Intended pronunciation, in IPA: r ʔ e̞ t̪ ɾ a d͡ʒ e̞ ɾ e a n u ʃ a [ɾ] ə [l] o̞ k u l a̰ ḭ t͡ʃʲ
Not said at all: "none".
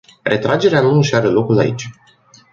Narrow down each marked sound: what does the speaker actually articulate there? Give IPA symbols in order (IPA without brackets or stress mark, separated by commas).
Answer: ɾ, l